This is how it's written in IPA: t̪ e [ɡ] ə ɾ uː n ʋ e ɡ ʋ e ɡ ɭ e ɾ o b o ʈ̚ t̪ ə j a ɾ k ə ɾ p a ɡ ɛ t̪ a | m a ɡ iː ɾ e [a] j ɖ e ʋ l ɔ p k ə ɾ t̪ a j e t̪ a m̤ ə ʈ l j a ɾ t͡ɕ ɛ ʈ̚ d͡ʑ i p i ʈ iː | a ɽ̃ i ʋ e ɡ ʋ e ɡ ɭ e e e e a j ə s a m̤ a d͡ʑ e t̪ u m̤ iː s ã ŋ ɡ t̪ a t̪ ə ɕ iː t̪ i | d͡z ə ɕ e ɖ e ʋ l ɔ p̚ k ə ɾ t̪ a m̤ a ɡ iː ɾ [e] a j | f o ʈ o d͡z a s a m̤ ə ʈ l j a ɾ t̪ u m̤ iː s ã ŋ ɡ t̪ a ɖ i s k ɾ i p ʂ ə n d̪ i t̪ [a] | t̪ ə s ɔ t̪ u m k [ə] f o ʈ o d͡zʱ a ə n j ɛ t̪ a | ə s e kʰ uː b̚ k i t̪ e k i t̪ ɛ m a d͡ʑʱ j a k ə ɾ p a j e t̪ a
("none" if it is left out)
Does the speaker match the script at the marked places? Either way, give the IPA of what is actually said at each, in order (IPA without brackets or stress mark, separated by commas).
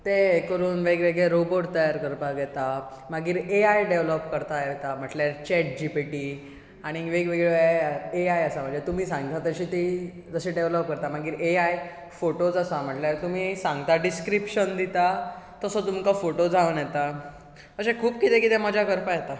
k, a, e, a, a